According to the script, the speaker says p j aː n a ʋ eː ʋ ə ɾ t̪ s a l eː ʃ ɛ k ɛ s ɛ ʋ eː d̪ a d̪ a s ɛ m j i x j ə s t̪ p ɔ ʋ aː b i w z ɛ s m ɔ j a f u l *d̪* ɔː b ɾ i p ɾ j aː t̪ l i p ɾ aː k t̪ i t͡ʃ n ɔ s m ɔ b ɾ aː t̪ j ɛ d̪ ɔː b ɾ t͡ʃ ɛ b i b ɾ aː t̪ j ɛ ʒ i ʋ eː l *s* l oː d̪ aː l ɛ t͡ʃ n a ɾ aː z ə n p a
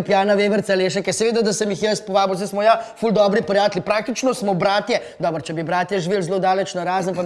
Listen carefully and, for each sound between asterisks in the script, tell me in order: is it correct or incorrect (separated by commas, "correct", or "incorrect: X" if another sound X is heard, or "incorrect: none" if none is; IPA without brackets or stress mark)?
correct, incorrect: z